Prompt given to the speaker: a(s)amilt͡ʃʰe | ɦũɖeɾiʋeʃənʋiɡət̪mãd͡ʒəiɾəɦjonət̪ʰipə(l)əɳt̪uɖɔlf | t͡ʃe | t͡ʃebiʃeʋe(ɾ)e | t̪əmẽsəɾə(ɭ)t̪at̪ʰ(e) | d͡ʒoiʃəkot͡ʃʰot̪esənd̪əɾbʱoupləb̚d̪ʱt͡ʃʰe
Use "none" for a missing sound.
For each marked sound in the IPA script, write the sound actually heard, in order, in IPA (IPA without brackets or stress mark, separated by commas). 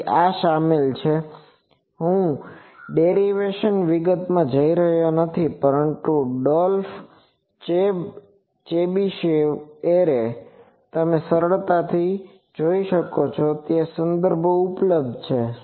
ʃ, ɾ, ɾ, ɭ, i